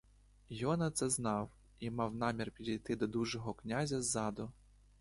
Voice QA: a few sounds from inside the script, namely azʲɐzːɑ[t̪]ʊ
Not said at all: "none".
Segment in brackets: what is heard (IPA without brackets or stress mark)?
d̪